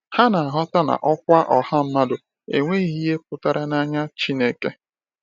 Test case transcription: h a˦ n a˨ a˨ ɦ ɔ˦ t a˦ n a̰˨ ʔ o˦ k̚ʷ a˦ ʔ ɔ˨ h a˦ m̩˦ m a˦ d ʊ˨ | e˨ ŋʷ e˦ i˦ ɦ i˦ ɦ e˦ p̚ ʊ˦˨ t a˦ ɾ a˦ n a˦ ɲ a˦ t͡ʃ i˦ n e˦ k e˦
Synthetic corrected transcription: h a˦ n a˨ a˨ ɦ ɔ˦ t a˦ n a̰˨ ʔ ɔ˦ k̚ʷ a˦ ʔ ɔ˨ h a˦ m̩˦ m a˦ d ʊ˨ | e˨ ŋʷ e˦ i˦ ɦ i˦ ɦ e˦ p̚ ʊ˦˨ t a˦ ɾ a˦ n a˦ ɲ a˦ t͡ʃ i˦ n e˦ k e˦